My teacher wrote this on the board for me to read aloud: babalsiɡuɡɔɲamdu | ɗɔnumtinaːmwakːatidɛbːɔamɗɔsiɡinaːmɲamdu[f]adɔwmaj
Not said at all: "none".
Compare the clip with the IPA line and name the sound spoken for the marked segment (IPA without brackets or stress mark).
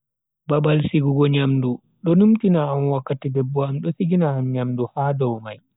h